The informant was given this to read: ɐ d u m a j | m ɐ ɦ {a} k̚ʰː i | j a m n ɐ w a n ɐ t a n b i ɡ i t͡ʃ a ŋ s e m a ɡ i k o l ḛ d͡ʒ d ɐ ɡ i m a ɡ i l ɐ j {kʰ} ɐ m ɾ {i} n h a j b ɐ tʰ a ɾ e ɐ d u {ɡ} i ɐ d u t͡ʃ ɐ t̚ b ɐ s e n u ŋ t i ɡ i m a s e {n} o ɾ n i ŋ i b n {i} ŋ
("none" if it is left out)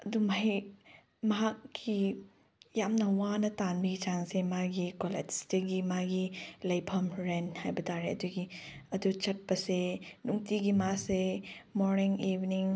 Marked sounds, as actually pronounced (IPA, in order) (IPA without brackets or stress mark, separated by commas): a, pʰ, e, ɡ, m, i